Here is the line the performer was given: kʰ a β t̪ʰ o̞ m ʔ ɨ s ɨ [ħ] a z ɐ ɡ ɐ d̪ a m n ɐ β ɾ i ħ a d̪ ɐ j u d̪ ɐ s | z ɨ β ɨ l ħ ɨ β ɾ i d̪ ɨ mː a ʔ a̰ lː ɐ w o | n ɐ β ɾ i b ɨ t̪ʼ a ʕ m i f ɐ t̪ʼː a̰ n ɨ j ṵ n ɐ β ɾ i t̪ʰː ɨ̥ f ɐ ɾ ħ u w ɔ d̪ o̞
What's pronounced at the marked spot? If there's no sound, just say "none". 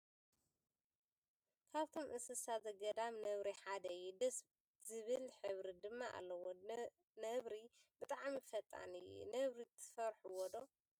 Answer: s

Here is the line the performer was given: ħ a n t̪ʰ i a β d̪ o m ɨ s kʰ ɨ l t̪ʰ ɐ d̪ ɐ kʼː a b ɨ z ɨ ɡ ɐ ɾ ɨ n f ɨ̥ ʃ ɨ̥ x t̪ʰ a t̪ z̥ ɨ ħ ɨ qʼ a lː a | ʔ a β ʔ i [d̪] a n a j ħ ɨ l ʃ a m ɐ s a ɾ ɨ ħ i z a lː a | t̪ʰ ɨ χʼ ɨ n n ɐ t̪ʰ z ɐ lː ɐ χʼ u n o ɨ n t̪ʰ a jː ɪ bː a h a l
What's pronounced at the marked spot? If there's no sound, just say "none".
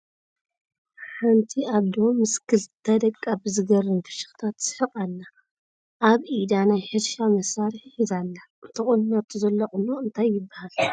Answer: d̪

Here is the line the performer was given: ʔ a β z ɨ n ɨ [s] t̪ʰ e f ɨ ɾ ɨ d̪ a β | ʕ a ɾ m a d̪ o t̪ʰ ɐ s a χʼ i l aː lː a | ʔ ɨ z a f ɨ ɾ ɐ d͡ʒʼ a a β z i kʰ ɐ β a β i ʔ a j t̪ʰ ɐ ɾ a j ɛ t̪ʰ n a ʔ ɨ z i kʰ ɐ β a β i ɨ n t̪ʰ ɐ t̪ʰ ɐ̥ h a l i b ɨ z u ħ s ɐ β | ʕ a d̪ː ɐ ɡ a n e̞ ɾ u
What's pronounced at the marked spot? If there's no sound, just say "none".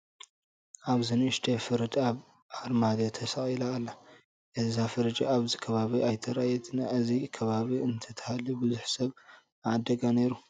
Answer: ʃ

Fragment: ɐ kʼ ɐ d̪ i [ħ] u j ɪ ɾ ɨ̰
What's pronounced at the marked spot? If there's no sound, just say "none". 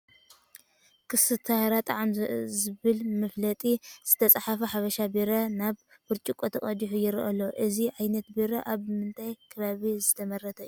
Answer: ħ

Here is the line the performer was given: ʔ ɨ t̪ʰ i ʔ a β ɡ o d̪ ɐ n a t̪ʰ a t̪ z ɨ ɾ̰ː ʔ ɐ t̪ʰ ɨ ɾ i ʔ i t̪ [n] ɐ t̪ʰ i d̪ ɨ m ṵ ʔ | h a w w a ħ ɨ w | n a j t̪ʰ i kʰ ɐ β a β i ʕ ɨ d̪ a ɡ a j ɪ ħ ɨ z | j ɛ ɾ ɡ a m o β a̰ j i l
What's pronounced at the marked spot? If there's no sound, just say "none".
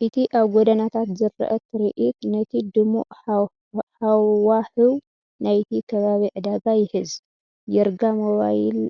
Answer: n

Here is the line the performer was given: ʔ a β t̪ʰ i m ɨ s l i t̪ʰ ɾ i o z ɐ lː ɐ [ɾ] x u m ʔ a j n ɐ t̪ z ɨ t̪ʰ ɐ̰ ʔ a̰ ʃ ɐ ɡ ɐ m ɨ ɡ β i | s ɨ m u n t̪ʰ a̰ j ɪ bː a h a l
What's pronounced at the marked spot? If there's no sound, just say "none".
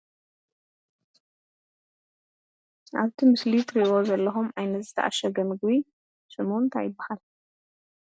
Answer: none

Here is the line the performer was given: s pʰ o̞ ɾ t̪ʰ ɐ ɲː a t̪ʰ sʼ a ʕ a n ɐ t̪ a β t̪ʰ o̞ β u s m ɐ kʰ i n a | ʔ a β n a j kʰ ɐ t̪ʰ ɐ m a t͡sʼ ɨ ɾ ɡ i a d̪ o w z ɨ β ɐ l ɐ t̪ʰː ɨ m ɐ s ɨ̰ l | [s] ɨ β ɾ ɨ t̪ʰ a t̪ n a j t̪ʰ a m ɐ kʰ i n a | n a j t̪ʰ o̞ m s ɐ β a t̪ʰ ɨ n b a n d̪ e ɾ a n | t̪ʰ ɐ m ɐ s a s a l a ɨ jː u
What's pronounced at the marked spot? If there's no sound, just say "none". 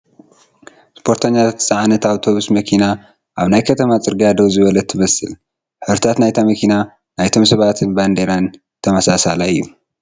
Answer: ħ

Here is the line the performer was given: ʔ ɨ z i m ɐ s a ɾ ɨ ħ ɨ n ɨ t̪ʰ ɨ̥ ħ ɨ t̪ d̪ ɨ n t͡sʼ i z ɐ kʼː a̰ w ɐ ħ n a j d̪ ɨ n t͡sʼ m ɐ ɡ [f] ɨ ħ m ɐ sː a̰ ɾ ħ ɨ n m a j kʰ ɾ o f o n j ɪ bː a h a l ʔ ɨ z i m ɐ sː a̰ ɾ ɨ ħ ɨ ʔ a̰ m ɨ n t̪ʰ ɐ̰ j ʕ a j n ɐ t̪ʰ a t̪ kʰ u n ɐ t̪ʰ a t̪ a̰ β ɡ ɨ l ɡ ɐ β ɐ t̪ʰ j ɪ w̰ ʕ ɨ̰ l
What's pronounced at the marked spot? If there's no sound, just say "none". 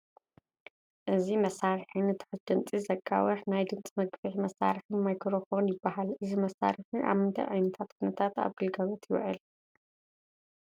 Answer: f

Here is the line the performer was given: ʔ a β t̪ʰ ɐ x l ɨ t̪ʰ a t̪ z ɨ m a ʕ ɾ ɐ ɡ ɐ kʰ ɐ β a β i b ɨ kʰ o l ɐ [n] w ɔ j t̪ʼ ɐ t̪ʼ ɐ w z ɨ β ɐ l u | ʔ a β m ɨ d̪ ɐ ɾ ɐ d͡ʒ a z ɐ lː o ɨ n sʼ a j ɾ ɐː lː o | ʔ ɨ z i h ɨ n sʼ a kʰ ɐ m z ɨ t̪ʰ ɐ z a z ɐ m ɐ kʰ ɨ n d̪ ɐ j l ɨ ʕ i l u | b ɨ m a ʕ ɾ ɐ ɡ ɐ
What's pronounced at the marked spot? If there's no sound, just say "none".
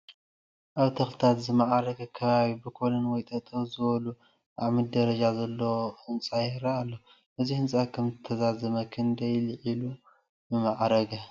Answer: n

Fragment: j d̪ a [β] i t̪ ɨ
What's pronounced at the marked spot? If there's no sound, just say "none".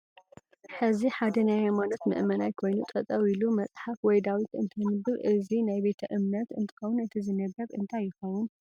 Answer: w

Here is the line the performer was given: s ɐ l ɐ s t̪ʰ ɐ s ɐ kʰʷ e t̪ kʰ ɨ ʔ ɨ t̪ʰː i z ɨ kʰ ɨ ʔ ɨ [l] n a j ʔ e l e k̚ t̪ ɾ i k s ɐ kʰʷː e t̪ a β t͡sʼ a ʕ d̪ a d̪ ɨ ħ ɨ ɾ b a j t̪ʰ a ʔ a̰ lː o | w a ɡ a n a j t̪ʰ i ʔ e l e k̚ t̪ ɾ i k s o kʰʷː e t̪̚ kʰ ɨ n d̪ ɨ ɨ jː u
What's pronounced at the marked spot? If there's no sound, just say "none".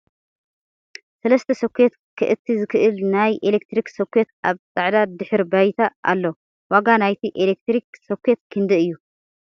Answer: l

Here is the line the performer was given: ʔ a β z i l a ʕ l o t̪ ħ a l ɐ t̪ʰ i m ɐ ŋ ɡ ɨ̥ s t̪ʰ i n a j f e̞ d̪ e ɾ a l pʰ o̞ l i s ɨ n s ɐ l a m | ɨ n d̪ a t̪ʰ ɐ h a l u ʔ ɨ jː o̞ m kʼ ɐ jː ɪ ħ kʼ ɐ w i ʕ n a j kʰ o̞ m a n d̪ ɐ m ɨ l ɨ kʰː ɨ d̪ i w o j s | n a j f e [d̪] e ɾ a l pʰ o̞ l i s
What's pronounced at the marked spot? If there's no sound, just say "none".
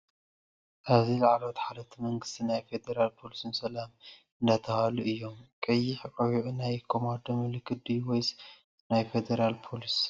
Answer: d̪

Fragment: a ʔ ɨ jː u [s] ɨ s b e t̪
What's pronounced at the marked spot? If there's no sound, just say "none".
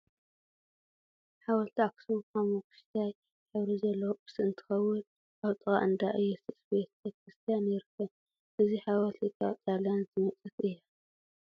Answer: s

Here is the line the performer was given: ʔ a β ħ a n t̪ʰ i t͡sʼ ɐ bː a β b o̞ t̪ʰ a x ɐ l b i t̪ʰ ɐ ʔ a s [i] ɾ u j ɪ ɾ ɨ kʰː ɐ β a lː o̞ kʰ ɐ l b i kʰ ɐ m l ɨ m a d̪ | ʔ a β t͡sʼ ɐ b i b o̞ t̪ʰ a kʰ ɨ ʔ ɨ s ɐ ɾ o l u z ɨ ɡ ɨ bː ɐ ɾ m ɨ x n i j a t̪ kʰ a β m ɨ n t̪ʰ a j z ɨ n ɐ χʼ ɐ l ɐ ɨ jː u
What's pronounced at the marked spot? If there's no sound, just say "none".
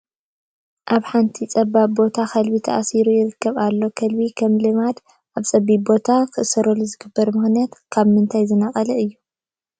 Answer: i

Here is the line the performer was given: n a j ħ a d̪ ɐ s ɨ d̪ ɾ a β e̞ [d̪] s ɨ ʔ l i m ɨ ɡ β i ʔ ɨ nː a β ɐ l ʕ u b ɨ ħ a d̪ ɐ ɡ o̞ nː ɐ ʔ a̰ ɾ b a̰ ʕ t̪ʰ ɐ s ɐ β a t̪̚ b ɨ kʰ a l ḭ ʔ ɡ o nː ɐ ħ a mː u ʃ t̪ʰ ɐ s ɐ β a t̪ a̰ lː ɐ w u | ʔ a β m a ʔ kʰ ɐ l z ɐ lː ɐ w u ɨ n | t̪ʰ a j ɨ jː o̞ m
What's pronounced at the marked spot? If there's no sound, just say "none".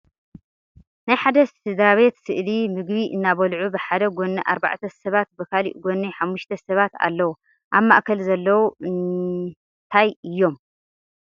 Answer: t̪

